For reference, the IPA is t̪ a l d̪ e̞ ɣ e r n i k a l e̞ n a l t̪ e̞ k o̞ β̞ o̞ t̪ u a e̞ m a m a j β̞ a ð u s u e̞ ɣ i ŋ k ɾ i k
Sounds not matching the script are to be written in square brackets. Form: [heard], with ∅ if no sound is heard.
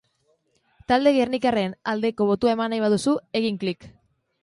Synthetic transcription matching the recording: t̪ a l d̪ e̞ ɣ e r n i k a [r] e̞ n a l [d̪] e̞ k o̞ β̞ o̞ t̪ u a e̞ m a [n] a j β̞ a ð u s u e̞ ɣ i ŋ k [l] i k